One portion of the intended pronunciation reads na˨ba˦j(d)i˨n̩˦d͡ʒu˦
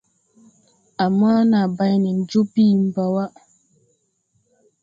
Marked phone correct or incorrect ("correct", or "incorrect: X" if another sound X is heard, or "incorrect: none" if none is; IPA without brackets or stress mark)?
incorrect: n